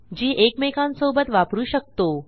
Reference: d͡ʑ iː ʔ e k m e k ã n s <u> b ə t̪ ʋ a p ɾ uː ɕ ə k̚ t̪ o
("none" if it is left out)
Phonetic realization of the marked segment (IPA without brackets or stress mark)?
o